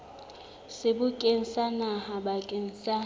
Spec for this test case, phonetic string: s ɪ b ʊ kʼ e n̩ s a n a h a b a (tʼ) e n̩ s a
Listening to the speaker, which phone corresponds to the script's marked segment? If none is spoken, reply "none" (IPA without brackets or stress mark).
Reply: kʼ